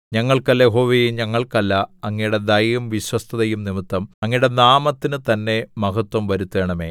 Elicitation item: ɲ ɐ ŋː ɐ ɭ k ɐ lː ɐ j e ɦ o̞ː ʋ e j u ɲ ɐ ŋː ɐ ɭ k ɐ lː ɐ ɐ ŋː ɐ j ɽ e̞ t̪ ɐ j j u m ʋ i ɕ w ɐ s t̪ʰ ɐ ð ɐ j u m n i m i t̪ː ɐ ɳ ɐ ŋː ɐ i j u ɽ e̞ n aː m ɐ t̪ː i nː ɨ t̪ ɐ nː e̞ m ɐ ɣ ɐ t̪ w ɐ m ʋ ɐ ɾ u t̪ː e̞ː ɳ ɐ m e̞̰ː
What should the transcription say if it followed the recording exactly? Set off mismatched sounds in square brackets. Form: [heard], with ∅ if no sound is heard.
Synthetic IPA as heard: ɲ ɐ ŋː ɐ ɭ k ɐ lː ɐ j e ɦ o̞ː ʋ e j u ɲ ɐ ŋː ɐ ɭ k ɐ lː ɐ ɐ ŋː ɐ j ɽ e̞ [d̪] ɐ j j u m ʋ i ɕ w ɐ s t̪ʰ ɐ ð ɐ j u m n i m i t̪ː ɐ [m] ɐ ŋː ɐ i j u ɽ e̞ n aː m ɐ t̪ː i [n] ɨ t̪ ɐ nː e̞ m ɐ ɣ ɐ t̪ w ɐ m ʋ ɐ ɾ u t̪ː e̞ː ɳ ɐ m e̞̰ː